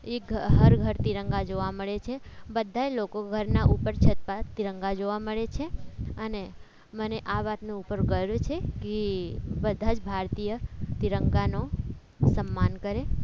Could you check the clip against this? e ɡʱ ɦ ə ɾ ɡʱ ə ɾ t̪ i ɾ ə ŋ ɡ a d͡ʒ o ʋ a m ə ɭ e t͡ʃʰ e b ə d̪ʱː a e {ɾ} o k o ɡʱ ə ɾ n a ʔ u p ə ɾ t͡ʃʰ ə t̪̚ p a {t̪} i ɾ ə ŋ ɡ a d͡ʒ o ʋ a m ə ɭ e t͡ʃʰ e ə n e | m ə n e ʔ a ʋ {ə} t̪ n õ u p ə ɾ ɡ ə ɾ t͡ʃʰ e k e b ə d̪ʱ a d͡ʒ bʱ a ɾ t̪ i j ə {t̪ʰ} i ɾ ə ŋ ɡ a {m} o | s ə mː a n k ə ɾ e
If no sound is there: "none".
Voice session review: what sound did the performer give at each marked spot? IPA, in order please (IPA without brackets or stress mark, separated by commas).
l, t̪, a, t̪, n